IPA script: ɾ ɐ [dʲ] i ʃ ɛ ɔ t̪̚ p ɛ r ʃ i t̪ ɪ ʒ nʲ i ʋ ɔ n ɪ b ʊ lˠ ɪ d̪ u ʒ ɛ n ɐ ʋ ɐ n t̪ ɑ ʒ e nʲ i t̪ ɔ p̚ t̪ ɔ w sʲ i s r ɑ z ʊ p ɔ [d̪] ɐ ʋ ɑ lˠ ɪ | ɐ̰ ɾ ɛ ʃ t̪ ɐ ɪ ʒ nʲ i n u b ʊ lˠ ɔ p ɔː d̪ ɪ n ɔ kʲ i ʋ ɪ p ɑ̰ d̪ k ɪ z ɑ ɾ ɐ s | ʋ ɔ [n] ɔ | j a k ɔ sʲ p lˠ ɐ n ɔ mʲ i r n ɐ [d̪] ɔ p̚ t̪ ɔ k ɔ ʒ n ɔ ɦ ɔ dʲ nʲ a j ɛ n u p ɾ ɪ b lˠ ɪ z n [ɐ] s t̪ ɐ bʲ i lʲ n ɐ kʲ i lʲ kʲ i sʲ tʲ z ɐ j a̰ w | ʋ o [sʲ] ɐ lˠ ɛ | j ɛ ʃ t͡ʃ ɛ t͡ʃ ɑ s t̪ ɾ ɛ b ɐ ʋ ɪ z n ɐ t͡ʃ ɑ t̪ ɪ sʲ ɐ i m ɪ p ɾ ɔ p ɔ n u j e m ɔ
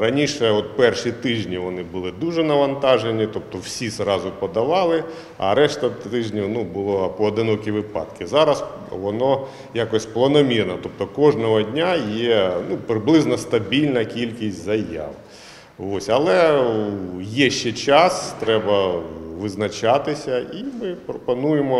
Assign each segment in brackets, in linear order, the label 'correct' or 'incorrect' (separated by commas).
incorrect, correct, correct, incorrect, correct, correct